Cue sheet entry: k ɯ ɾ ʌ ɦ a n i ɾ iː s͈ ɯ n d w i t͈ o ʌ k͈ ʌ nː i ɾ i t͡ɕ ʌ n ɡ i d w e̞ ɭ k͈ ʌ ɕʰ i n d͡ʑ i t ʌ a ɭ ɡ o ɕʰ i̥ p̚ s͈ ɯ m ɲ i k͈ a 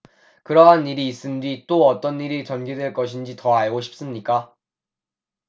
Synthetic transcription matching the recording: k ɯ ɾ ʌ ɦ a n i ɾ iː s͈ ɯ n d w i t͈ o ʌ t͈ ʌ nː i ɾ i t͡ɕ ʌ n ɡ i d w e̞ ɭ k͈ ʌ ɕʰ i n d͡ʑ i t ʌ a ɭ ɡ o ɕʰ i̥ p̚ s͈ ɯ m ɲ i k͈ a